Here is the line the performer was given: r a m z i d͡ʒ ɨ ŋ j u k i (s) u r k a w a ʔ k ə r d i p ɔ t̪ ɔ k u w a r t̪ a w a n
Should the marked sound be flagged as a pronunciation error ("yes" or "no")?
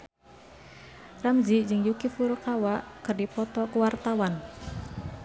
yes